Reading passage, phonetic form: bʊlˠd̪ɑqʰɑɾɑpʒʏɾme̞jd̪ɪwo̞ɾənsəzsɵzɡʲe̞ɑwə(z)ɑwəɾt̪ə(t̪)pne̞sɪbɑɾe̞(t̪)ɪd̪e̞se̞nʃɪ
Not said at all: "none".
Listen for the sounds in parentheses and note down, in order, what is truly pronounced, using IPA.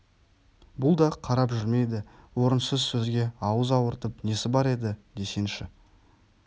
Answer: z, none, d̪

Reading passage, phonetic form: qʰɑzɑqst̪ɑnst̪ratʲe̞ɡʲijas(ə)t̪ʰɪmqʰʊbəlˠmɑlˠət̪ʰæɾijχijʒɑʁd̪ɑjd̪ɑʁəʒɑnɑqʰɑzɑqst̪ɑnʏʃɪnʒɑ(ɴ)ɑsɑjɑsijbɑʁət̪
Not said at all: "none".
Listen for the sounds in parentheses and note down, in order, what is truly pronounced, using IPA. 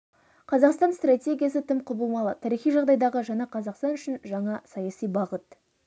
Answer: ə, ɴ

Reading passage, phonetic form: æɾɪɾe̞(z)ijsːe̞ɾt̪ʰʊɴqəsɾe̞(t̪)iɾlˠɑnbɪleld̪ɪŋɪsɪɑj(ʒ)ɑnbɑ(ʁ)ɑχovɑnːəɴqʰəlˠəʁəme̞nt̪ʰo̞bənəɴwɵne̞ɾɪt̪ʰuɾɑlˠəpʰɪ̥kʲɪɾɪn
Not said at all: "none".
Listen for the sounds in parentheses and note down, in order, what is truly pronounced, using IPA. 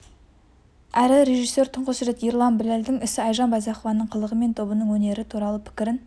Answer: ʒ, t̪, ʒ, z

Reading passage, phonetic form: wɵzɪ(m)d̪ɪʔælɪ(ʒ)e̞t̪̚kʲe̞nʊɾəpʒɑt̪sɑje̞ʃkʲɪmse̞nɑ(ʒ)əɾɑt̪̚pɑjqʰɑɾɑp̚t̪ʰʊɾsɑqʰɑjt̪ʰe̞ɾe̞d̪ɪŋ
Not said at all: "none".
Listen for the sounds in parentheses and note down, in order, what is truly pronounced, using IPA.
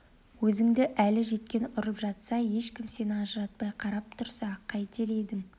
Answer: ŋ, ʒ, ʒ

